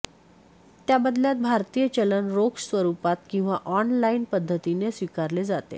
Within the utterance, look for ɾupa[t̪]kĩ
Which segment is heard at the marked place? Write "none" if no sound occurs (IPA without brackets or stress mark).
t̪